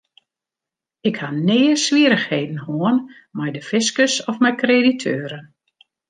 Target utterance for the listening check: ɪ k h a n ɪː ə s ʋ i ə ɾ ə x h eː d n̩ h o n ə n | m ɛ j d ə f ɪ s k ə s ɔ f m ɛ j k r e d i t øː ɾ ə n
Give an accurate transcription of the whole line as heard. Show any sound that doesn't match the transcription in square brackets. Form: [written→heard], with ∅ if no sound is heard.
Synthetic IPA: ɪ k h a n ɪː ə s ʋ i ə ɾ ə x h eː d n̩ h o [n→∅] ə n | m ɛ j d ə f ɪ s k ə s ɔ f m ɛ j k r e d i [t→tʰ] øː ɾ ə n